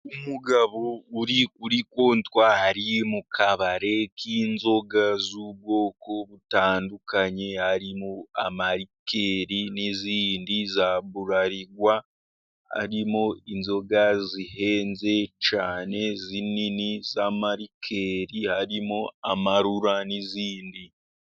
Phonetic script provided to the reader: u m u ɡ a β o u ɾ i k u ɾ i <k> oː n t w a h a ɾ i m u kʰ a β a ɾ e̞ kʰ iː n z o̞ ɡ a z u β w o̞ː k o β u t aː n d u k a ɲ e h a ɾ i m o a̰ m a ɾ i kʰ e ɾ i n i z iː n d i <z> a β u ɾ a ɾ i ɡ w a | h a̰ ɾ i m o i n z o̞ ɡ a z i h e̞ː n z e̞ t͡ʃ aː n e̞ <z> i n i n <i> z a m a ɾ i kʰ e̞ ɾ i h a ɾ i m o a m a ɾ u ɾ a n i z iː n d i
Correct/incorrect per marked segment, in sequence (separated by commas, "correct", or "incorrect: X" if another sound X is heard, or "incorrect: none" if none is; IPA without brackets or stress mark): correct, correct, correct, correct